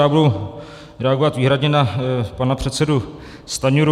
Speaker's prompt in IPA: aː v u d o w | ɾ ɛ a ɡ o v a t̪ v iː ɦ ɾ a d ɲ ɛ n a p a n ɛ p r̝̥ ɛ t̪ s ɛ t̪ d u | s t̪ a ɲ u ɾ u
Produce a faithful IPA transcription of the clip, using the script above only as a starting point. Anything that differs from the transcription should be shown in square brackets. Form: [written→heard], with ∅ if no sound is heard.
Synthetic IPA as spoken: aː [v→b] u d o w | ɾ ɛ a ɡ o v a t̪ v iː ɦ ɾ a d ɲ ɛ n a p a n [ɛ→a] p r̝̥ ɛ t̪ s ɛ [t̪→∅] d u | s t̪ a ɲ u ɾ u